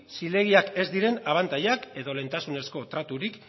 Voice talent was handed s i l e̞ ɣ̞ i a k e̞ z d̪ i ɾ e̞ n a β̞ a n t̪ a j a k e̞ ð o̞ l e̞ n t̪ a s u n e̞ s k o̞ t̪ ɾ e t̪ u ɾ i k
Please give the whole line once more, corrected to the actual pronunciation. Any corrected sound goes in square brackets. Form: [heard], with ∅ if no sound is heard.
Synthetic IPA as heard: s i l e̞ ɣ̞ i a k e̞ z d̪ i ɾ e̞ n a β̞ a n t̪ a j a k e̞ ð o̞ l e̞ n t̪ a s u n e̞ s k o̞ t̪ ɾ [a] t̪ u ɾ i k